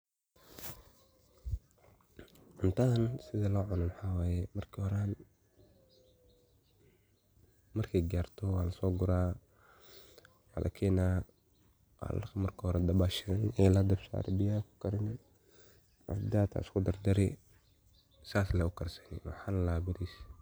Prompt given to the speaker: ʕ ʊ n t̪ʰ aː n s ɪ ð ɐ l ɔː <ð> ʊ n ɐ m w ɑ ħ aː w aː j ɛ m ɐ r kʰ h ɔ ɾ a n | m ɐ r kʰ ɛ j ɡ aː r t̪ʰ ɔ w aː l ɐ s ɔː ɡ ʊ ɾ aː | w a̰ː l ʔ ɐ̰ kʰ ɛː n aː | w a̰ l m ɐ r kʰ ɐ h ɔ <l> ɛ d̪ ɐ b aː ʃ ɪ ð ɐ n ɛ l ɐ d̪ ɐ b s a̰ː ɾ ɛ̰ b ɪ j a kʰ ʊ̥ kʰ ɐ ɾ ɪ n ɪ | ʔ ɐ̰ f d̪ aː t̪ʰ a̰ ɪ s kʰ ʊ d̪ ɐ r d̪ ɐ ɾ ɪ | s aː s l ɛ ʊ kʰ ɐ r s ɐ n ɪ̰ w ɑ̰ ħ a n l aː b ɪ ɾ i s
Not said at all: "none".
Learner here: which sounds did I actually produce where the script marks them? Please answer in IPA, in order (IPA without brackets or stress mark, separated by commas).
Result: ʕ, ɾ